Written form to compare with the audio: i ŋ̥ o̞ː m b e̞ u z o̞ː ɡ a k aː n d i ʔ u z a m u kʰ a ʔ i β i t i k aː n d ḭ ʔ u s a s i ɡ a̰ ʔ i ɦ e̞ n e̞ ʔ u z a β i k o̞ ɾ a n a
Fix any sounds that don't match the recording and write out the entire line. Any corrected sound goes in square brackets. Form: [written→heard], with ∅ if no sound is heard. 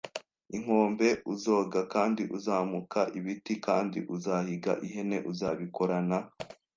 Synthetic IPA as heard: i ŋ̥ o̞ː m b e̞ u z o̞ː ɡ a k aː n d i ʔ u z a m u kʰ a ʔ i β i t i k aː n d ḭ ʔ u [s→z] a [s→h] i ɡ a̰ ʔ i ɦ e̞ n e̞ ʔ u z a β i k o̞ ɾ a n a